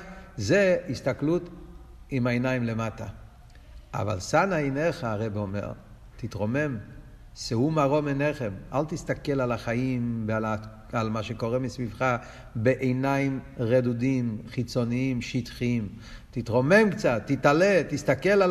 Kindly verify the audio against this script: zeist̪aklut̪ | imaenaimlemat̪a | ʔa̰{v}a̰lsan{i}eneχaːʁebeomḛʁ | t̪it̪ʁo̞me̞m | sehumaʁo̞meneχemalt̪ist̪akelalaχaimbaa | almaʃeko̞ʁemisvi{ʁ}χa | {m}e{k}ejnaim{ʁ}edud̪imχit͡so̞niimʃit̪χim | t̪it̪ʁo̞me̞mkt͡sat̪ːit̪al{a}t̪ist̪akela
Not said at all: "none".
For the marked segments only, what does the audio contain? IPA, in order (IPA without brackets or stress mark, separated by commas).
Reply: v, a, v, b, ʔ, ʁ, e